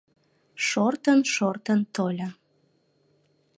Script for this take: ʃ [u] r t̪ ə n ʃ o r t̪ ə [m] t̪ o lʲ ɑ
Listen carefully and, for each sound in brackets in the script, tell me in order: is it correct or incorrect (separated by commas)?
incorrect, incorrect